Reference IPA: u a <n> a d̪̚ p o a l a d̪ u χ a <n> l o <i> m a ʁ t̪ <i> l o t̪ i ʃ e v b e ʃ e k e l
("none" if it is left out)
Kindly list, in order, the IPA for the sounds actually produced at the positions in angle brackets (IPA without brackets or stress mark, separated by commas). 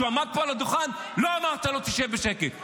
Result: m, n, a, a